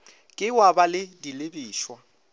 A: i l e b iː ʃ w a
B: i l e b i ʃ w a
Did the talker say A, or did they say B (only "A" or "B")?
A